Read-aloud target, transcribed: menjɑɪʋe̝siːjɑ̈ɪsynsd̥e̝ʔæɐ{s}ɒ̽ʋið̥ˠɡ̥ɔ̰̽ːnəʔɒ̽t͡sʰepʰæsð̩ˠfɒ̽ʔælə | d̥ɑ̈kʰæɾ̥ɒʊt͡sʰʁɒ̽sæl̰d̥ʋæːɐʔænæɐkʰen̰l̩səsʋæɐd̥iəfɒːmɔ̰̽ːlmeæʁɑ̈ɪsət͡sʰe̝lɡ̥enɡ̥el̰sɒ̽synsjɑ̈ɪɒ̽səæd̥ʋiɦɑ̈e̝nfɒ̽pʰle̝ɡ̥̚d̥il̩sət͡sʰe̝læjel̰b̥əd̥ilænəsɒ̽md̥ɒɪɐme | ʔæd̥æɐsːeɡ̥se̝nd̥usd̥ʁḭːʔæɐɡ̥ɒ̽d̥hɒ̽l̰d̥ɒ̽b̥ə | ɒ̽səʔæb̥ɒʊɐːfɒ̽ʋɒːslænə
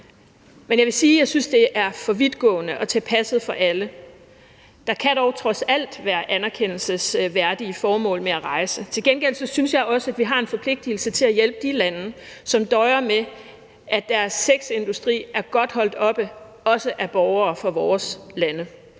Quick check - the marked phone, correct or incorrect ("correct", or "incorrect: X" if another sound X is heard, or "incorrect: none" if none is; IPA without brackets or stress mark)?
incorrect: f